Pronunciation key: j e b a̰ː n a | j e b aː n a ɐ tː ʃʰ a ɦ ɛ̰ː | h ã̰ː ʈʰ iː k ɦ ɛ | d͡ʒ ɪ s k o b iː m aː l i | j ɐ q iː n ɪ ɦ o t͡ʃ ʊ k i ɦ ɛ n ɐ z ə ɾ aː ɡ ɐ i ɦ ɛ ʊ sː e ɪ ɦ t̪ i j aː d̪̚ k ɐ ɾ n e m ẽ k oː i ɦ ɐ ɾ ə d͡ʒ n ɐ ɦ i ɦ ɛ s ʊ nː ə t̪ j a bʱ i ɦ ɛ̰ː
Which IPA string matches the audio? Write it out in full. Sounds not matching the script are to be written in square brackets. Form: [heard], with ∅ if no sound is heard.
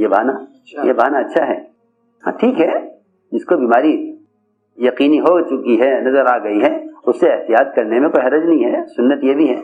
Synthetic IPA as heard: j e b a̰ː n a | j e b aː n a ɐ tː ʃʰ a ɦ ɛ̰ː | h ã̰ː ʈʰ iː k ɦ ɛ | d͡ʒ ɪ s k o b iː m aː [ɾ] i | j ɐ q iː n [i] ɦ o t͡ʃ ʊ k i ɦ ɛ n ɐ z ə ɾ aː ɡ ɐ i ɦ ɛ ʊ sː e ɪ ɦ t̪ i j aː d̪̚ k ɐ ɾ n e m ẽ k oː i ɦ ɐ ɾ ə d͡ʒ n ɐ ɦ [ĩ] ɦ ɛ s ʊ nː ə t̪ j [e] bʱ i ɦ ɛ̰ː